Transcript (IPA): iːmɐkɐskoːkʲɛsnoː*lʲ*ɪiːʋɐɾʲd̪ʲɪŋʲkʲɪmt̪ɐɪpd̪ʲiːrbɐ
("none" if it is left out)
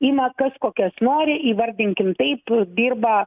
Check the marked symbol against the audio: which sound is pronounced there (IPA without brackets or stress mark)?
ɾʲ